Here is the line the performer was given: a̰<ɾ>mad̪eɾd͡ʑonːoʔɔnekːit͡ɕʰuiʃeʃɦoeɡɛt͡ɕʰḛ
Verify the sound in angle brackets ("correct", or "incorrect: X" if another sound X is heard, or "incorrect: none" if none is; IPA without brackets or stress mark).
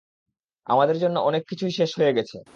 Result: incorrect: none